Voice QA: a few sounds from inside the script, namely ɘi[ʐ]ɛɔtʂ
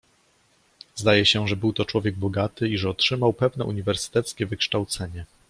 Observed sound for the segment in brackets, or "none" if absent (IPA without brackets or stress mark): ʐ